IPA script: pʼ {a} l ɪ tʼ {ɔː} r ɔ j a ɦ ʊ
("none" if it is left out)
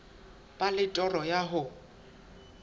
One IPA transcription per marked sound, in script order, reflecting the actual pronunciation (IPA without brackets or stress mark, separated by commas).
a, ɔ